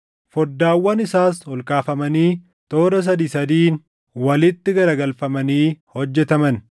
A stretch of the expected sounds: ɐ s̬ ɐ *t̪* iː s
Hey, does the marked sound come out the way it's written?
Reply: no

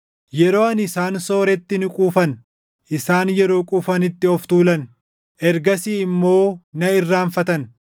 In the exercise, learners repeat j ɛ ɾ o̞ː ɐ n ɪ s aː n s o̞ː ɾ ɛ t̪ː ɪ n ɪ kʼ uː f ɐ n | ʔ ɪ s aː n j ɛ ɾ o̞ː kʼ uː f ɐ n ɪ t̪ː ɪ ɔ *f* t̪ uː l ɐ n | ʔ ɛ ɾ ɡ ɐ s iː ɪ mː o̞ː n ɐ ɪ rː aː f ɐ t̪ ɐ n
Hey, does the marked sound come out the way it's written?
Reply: yes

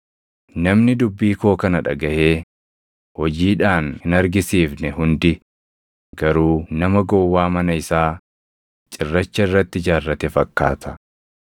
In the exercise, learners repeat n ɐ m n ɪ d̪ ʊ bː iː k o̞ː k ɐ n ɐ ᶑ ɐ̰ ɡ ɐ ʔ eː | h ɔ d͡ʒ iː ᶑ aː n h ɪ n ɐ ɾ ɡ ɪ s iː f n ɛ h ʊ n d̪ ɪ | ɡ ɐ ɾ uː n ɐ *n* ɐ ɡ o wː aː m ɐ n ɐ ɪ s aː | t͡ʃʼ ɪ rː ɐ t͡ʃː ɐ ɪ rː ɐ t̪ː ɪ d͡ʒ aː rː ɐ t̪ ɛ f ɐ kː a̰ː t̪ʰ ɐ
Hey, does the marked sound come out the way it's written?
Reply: no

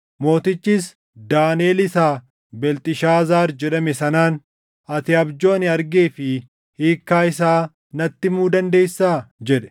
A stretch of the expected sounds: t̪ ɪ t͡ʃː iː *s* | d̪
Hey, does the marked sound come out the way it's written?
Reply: yes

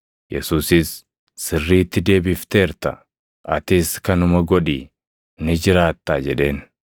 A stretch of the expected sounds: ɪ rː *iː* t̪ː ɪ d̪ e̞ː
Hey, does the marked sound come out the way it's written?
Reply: yes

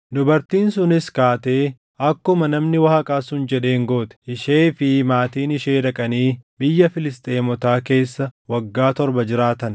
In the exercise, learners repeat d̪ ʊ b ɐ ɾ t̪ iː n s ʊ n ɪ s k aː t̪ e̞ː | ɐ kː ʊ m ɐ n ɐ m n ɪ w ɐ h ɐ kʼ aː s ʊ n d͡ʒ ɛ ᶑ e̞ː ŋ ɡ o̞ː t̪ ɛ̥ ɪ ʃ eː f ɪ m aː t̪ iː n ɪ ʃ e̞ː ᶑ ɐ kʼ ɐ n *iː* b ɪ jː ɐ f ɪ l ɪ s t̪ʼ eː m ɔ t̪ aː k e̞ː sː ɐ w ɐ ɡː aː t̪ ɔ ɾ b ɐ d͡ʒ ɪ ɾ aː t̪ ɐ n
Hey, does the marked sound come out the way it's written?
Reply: yes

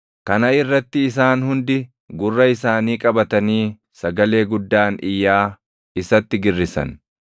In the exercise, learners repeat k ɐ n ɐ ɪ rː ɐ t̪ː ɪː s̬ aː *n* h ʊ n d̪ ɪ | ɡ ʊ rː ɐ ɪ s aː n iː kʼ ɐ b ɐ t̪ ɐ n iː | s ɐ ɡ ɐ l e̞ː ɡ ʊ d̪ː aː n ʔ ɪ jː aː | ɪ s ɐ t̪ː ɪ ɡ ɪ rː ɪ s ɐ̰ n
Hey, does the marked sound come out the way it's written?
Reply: yes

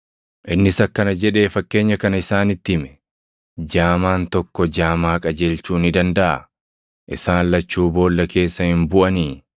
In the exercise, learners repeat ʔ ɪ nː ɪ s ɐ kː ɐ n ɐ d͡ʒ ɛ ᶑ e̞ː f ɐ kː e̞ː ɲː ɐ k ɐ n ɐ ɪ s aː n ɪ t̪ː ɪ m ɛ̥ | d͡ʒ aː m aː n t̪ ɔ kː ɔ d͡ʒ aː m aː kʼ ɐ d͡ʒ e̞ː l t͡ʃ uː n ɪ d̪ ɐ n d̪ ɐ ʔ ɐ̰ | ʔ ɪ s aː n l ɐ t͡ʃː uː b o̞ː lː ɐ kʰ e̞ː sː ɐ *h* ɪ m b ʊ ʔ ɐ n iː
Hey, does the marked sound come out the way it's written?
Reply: yes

